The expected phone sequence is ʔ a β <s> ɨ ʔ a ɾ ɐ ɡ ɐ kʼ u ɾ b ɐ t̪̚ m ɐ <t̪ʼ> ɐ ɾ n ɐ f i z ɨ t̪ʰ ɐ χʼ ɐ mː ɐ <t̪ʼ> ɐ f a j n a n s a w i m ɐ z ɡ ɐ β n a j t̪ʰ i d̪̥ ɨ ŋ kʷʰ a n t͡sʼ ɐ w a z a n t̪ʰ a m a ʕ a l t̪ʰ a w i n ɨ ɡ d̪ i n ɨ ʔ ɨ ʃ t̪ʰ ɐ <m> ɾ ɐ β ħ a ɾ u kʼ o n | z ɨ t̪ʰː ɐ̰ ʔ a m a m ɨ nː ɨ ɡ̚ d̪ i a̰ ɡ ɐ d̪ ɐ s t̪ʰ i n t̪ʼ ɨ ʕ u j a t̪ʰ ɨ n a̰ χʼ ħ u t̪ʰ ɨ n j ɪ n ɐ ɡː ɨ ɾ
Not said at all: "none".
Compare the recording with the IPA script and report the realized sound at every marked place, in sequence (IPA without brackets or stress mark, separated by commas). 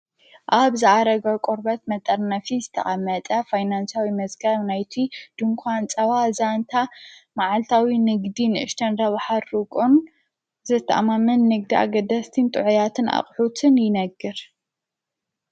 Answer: z, t̪ʼ, t̪ʼ, n